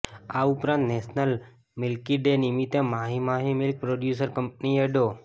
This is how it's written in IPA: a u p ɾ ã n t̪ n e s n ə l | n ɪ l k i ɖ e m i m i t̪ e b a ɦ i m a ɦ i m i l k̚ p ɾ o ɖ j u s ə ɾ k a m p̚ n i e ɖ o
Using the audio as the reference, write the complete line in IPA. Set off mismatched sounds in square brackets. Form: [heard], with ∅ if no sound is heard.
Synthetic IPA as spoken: a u p ɾ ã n t̪ n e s n ə l | [m] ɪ l k i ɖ e [n] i m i t̪ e [m] a ɦ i m a ɦ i m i l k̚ p ɾ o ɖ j u s ə ɾ k [ə] m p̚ n i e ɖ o